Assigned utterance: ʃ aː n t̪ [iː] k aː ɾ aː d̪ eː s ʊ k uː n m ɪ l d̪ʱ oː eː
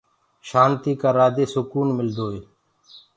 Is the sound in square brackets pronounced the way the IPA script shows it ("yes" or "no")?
yes